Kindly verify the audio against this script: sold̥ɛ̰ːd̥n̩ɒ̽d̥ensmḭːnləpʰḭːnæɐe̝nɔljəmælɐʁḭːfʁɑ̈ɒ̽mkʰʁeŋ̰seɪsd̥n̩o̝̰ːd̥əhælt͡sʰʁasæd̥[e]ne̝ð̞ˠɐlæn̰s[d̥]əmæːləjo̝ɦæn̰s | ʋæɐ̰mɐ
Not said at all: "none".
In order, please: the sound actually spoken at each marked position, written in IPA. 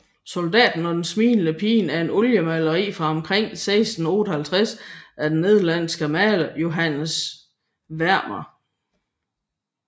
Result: e, ɡ̥

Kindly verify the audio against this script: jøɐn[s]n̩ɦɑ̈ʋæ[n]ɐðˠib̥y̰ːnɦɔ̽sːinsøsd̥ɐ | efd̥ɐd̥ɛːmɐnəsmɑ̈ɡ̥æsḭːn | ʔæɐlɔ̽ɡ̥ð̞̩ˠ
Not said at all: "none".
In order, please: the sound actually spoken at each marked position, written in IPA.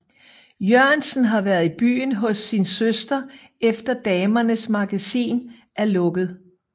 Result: s, none

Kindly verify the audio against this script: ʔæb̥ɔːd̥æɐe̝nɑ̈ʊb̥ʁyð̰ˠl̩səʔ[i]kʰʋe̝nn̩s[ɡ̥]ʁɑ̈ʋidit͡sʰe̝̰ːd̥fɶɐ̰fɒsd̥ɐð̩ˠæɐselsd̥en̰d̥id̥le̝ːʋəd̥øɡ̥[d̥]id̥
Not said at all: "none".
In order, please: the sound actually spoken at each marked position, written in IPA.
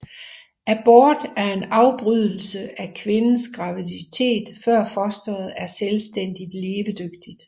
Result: æ, ɡ̥, d̥

